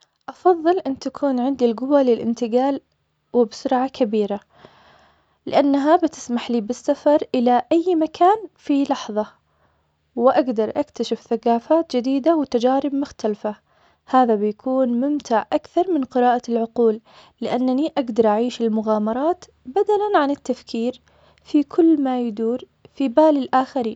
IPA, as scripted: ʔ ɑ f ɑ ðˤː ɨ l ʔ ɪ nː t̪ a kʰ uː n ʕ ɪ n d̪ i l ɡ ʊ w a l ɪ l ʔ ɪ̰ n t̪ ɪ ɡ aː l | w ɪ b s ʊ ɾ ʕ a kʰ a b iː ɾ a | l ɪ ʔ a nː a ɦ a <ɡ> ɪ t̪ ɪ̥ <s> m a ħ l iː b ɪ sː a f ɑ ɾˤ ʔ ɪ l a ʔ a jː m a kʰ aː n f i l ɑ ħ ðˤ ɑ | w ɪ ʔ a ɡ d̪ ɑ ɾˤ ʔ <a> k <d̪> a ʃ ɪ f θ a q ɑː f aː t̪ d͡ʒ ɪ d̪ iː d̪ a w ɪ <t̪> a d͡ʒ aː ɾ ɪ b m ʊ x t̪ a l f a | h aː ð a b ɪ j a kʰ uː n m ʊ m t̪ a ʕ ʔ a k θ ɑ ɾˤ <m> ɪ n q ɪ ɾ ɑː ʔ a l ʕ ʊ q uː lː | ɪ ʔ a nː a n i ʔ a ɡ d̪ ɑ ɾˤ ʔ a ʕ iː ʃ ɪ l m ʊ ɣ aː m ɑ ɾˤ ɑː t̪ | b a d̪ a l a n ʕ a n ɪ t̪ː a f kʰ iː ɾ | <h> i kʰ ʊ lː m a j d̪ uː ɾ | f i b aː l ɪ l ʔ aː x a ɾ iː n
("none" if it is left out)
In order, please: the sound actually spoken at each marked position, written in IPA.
b, s, a, t̪, t̪, m, f

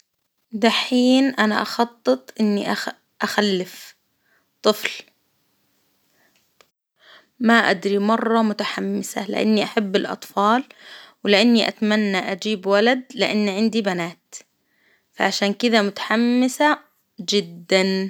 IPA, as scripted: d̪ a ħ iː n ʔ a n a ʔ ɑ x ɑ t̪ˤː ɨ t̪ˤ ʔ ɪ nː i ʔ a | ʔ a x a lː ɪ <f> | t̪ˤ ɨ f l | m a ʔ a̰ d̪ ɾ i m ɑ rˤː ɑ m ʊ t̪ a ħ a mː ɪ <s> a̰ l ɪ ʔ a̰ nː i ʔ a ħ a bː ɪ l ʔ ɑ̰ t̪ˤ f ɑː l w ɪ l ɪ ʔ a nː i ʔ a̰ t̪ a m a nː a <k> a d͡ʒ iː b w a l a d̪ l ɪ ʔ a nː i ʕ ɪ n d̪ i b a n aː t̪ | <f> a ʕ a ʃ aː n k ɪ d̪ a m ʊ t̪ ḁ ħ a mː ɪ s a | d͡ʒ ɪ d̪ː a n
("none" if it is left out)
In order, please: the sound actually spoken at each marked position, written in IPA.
f, s, ʔ, f

